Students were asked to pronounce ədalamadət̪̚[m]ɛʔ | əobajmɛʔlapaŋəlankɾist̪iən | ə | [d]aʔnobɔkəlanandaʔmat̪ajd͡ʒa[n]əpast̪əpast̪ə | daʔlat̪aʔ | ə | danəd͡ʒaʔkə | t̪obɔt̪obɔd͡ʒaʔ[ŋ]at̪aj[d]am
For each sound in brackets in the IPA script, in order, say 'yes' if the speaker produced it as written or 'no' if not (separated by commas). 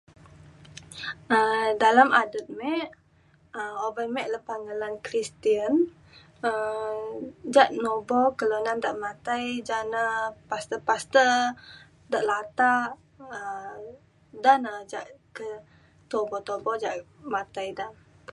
yes, no, yes, no, yes